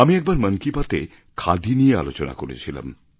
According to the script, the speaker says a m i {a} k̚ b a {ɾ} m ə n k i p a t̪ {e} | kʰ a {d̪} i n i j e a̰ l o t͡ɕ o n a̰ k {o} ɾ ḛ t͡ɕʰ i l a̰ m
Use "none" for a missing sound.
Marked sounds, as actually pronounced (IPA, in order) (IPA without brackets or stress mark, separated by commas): ɛ, ɾ, e, d̪, o